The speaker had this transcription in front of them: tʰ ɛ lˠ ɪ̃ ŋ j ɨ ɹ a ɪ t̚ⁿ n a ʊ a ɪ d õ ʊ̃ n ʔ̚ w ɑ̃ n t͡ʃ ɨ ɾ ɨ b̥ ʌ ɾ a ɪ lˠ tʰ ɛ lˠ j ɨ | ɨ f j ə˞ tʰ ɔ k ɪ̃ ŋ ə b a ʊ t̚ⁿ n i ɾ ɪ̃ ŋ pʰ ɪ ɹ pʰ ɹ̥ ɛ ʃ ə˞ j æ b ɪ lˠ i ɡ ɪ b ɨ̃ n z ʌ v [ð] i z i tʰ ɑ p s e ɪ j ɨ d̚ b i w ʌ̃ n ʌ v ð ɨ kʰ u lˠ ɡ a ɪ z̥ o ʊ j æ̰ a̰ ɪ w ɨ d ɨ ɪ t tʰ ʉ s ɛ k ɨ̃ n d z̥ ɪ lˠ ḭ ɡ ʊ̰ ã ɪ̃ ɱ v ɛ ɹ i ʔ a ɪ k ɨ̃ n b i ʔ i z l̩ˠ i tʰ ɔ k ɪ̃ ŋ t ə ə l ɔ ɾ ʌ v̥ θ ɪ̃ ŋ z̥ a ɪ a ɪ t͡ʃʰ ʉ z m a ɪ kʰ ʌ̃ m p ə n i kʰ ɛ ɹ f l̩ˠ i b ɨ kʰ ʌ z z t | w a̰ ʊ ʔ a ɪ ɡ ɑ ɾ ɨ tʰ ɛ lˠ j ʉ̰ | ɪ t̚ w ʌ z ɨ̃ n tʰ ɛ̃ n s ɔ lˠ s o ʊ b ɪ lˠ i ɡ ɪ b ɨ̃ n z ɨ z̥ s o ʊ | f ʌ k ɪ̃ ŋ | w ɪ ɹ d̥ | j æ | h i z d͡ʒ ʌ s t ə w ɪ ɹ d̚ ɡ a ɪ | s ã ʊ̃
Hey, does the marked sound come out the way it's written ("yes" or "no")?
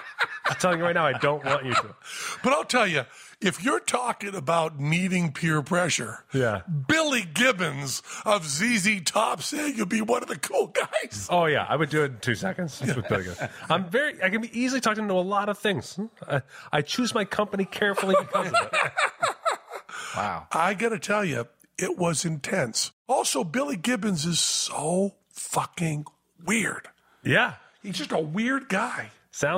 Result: no